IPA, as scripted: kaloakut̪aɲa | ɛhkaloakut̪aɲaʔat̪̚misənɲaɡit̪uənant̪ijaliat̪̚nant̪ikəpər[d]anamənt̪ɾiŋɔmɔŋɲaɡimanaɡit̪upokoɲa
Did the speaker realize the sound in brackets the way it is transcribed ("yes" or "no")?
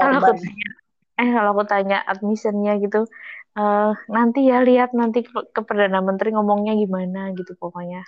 yes